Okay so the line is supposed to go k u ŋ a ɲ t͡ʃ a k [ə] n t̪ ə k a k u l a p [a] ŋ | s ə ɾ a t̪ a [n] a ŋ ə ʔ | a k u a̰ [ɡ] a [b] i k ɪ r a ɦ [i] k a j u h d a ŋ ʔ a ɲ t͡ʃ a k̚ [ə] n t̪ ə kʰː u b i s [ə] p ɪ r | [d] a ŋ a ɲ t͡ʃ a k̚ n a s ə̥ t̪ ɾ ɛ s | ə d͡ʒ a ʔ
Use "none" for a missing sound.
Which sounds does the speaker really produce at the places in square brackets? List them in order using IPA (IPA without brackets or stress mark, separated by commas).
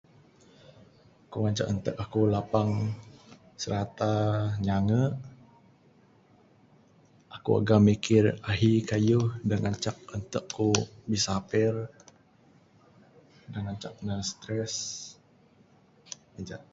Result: ə, a, ɲ, ɡ, m, i, ə, a, d